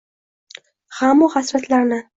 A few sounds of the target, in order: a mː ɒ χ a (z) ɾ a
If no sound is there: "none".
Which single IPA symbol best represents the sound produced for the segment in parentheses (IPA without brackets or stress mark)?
s